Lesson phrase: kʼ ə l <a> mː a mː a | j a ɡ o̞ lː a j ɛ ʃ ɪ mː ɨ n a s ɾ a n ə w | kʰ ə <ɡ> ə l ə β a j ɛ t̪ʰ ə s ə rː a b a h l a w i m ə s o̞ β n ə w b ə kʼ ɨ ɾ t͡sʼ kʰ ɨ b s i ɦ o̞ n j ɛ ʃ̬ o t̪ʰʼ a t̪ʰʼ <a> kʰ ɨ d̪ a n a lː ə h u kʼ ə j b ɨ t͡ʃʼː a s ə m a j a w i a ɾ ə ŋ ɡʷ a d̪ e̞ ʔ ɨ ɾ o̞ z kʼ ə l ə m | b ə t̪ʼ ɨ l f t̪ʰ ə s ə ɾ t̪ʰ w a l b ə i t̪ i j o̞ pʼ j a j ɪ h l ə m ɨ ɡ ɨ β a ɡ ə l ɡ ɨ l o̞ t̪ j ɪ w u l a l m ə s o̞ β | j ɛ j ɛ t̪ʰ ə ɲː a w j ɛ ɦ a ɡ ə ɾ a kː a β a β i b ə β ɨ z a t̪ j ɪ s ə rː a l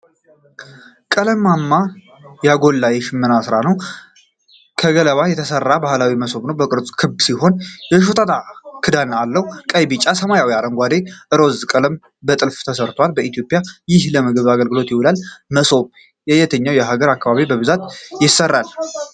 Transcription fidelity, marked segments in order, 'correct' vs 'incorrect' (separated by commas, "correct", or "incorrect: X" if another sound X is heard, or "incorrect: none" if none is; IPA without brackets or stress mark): incorrect: ə, correct, correct